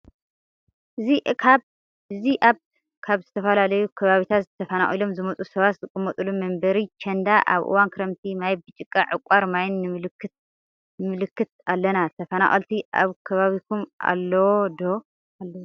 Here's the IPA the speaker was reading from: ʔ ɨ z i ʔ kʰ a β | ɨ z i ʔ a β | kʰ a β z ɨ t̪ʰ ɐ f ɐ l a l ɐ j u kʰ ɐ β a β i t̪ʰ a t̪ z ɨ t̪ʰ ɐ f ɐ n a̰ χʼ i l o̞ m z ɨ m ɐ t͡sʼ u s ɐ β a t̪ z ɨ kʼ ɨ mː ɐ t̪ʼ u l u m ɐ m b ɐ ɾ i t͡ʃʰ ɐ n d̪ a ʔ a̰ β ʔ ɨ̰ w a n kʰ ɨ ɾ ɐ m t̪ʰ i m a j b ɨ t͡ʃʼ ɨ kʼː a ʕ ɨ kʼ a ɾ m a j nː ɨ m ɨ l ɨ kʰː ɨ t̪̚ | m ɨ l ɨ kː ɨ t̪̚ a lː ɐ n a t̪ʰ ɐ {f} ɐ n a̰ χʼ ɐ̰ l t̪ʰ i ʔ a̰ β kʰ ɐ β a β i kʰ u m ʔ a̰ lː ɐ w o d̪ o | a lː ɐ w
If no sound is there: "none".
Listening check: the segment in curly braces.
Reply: f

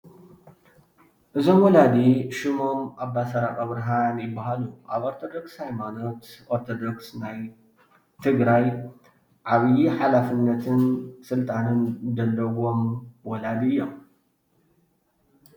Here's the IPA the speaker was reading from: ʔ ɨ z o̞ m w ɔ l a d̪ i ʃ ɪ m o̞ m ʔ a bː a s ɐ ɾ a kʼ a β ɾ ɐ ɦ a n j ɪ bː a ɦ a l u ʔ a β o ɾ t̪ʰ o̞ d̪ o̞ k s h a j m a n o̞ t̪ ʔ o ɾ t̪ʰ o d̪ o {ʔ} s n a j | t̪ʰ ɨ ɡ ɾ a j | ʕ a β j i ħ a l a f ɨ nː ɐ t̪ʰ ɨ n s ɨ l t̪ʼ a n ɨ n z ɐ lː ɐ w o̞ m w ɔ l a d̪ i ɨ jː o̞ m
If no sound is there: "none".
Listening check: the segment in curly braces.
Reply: k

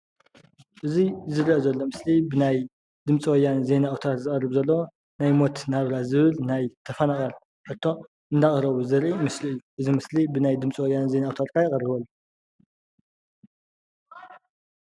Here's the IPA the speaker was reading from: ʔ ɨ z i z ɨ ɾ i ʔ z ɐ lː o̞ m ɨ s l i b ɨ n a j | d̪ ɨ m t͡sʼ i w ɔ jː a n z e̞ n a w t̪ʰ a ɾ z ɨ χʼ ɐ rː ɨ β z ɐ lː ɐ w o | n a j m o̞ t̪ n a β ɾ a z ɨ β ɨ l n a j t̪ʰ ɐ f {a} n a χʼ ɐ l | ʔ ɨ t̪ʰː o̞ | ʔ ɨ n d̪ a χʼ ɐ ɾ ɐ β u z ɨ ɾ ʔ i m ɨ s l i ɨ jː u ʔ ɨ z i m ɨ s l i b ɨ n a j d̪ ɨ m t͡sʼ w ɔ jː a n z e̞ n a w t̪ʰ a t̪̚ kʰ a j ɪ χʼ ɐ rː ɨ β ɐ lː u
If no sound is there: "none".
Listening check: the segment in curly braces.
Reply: ɐ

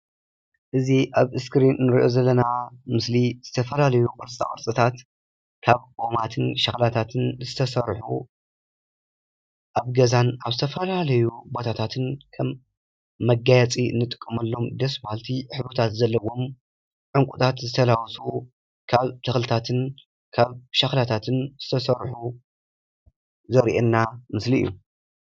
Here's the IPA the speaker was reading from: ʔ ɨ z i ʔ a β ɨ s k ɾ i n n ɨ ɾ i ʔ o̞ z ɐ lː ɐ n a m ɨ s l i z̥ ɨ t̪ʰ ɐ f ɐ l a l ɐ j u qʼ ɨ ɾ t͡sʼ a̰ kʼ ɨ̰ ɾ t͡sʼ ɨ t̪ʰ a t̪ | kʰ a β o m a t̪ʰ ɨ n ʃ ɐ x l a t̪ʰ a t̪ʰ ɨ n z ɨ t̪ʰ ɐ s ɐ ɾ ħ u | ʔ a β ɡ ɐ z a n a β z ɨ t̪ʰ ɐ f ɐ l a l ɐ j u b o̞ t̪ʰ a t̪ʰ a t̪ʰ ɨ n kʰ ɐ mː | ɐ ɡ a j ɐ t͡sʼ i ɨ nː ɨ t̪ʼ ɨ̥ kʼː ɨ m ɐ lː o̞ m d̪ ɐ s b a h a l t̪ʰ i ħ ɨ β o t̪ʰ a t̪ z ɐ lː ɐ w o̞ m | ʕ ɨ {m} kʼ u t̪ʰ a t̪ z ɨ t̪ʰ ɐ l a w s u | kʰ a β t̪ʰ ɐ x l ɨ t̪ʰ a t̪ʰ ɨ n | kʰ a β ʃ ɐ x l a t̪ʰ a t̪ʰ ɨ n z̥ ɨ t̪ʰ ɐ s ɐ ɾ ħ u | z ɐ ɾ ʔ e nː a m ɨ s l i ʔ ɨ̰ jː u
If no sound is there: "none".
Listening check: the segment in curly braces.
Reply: ŋ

